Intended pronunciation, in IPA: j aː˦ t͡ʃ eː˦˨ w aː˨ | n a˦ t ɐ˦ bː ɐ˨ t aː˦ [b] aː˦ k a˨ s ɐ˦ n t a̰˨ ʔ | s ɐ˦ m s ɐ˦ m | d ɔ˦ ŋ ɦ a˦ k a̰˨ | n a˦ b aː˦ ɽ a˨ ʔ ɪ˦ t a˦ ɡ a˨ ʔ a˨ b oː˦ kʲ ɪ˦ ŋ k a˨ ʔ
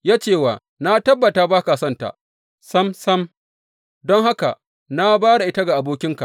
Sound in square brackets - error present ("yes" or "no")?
no